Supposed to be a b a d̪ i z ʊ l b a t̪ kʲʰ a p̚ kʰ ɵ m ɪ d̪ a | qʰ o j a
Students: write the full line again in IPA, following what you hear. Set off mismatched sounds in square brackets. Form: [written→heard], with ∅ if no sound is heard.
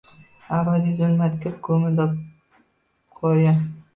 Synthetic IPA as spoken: a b a d̪ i z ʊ l [b→m] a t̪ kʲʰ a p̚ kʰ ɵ m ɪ d̪ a | qʰ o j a